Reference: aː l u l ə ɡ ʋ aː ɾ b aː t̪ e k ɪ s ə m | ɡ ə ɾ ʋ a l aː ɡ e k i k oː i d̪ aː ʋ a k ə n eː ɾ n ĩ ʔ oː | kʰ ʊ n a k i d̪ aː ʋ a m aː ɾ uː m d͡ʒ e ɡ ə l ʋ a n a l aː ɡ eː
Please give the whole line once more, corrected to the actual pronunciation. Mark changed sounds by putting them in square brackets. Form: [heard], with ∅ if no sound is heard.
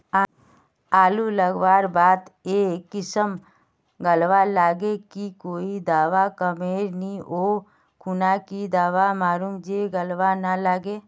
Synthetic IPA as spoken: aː l u l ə ɡ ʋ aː ɾ b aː t̪ e k ɪ s ə m | ɡ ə [l] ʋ a l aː ɡ e k i k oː i d̪ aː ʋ a k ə [m] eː ɾ n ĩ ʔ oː | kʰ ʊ n a k i d̪ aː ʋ a m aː ɾ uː m d͡ʒ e ɡ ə l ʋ a n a l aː ɡ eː

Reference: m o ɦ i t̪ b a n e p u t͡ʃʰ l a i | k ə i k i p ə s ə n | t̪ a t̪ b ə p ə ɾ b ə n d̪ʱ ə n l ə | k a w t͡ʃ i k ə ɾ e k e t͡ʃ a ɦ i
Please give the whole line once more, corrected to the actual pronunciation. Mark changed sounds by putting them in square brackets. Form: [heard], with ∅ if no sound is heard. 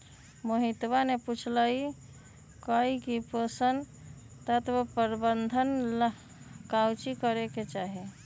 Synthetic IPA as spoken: m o ɦ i t̪ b a n e p u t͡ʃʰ l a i | k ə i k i p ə s ə n | t̪ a t̪ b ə p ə ɾ b ə n d̪ʱ ə n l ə | k a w t͡ʃ i k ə ɾ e k e t͡ʃ a ɦ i

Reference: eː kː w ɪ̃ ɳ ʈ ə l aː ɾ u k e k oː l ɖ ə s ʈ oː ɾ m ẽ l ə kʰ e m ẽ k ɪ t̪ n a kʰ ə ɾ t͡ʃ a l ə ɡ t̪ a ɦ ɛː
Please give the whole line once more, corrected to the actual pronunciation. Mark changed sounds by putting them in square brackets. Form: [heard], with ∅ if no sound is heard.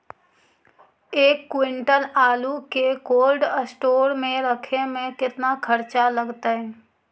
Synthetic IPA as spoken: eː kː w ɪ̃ ɳ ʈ ə l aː [l] u k e k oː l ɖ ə s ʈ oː ɾ m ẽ [ɾ] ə kʰ e m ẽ k ɪ t̪ n a kʰ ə ɾ t͡ʃ a l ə ɡ t̪ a ɦ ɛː

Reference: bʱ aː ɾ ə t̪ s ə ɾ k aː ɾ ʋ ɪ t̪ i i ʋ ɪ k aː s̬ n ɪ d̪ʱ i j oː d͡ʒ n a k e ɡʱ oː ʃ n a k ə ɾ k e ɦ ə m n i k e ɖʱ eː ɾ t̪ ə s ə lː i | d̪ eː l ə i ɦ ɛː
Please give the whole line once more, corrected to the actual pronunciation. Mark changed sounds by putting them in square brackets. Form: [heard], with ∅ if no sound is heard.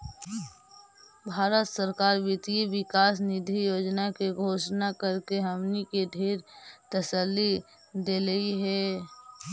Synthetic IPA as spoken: bʱ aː ɾ ə t̪ s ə ɾ k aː ɾ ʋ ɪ t̪ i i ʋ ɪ k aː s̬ n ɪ d̪ʱ i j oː d͡ʒ n a k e ɡʱ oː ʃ n a k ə ɾ k e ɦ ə m n i k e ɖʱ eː ɾ t̪ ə s ə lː i | d̪ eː l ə i ɦ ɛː

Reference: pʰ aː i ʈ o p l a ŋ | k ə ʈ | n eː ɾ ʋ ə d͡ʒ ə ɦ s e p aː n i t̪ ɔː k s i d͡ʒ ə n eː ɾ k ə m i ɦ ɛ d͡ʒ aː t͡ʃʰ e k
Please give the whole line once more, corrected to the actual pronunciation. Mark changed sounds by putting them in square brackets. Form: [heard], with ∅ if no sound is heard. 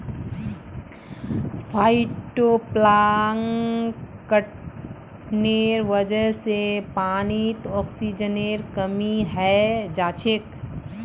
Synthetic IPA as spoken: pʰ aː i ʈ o p l a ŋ | k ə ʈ | n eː ɾ ʋ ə d͡ʒ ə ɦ s e p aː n i t̪ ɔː k s i d͡ʒ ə n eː ɾ k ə m i ɦ ɛ d͡ʒ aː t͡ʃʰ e k

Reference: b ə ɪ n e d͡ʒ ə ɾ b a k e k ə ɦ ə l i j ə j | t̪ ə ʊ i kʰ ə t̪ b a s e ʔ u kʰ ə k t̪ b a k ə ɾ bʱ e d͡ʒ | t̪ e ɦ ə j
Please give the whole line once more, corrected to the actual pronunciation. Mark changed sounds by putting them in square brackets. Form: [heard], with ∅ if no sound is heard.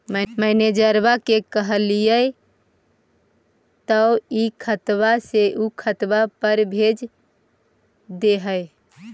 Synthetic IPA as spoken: [m] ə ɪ n e d͡ʒ ə ɾ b a k e k ə ɦ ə l i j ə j | t̪ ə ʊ i kʰ ə t̪ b a s e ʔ u kʰ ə [∅] t̪ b a [p] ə ɾ bʱ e d͡ʒ | [d̪] e ɦ ə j

